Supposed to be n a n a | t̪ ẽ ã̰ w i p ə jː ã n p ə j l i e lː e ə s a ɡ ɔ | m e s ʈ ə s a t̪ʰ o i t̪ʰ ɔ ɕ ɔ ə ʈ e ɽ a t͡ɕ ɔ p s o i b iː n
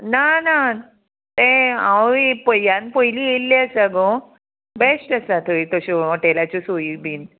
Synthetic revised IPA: n a n a | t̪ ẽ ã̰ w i p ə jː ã n p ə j l i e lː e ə s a ɡ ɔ | b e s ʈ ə s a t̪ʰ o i t̪ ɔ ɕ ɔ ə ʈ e l a t͡ɕ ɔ s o i b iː n